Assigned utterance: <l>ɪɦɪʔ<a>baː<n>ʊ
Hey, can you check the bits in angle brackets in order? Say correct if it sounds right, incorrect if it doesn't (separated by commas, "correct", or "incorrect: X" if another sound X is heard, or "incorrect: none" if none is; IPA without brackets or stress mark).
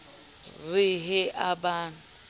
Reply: incorrect: r, correct, correct